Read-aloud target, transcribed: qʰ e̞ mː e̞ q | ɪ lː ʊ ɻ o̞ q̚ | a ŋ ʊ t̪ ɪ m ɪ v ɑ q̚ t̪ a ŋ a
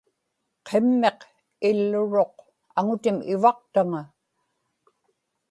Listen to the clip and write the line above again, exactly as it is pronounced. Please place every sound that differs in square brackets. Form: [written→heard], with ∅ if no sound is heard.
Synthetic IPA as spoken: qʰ e̞ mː e̞ q | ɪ lː ʊ ɻ o̞ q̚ | a ŋ ʊ t̪ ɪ m ɪ v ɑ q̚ t̪ a ŋ a

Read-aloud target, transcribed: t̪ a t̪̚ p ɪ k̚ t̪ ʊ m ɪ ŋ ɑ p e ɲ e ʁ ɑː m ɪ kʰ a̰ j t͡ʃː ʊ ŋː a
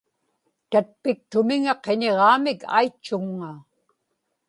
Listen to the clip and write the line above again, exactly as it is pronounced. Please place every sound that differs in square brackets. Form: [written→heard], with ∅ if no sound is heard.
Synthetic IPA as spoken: t̪ a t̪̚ p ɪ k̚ t̪ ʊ m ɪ ŋ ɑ [p→q] e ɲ e ʁ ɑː m ɪ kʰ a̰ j t͡ʃː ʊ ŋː a

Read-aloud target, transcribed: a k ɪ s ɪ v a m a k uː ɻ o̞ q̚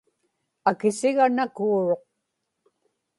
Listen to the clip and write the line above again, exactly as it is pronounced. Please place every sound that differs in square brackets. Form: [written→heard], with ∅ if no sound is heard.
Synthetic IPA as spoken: a k ɪ s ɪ [v→ɣ] a [m→n] a k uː ɻ o̞ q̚

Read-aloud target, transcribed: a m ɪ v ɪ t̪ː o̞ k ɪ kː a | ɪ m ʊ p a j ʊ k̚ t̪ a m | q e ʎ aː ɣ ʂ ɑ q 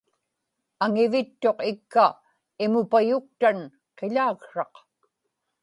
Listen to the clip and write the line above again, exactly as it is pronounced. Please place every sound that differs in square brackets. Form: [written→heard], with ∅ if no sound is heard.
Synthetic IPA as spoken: a [m→ŋ] ɪ v ɪ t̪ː o̞ [k→q] ɪ kː a | ɪ m ʊ p a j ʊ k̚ t̪ a [m→n] | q e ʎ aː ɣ ʂ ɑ q

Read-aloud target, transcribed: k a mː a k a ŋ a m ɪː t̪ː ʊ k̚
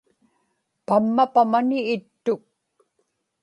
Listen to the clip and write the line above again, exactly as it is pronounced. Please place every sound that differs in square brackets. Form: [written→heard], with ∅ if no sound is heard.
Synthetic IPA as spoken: [k→p] a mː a [k→p] a [ŋ→m] a [m→n] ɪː t̪ː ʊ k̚

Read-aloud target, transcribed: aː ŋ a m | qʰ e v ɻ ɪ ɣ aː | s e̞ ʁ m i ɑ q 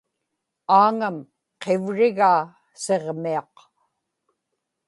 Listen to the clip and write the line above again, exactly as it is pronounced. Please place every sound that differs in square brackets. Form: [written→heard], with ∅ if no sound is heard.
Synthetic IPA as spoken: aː ŋ a m | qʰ e v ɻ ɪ ɣ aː | s e̞ ʁ m i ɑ q

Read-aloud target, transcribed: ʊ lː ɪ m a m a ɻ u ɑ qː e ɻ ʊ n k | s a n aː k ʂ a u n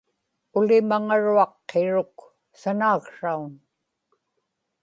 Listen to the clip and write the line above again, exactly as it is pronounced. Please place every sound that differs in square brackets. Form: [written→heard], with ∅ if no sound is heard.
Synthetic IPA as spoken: ʊ [lː→l] ɪ m a [m→ŋ] a ɻ u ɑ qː e ɻ ʊ [n→∅] k | s a n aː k ʂ a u n

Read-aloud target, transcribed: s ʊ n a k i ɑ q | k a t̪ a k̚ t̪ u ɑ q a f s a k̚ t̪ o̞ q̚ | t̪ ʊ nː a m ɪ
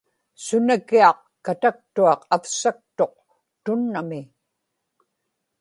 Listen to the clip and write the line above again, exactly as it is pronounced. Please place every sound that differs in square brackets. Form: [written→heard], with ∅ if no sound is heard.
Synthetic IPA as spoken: s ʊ n a k i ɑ q | k a t̪ a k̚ t̪ u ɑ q a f s a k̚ t̪ o̞ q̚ | t̪ ʊ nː a m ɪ

